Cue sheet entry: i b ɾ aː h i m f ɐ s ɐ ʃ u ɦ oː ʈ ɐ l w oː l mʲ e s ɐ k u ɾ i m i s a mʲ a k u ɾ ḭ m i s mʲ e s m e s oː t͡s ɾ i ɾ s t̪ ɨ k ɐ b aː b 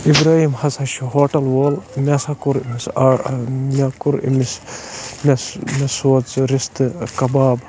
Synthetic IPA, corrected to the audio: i b ɾ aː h i m h ɐ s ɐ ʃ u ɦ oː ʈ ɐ l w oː l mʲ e s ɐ k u ɾ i m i s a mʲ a k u ɾ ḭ m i s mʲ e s m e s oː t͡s ɾ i s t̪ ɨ k ɐ b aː b